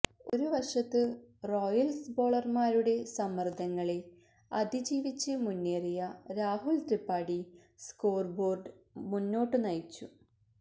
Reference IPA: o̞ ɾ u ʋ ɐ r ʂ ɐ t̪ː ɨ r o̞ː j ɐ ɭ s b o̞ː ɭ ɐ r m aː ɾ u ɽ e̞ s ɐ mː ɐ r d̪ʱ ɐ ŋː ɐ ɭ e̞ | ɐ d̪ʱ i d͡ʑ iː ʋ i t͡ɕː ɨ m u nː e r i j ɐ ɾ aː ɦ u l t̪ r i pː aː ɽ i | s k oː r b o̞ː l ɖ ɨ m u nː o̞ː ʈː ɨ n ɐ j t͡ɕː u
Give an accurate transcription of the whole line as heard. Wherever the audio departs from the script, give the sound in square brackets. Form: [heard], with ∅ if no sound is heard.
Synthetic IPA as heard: o̞ ɾ u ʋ ɐ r ʂ ɐ t̪ː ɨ r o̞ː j ɐ [l] s b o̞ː ɭ ɐ r m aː ɾ u ɽ e̞ s ɐ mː ɐ r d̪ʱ ɐ ŋː ɐ ɭ e̞ | ɐ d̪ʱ i d͡ʑ iː ʋ i t͡ɕː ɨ m u nː e r i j ɐ ɾ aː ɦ u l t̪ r i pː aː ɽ i | s k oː r b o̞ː [r] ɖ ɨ m u nː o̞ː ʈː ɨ n ɐ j t͡ɕː u